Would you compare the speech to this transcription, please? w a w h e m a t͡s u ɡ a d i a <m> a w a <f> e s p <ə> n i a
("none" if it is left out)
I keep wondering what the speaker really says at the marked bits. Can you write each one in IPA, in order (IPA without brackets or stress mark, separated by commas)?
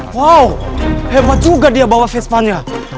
b, f, a